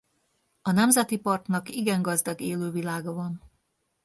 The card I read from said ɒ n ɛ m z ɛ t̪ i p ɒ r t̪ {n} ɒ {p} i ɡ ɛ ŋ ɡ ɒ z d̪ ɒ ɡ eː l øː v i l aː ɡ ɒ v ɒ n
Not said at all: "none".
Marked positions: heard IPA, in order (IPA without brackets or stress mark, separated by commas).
n, k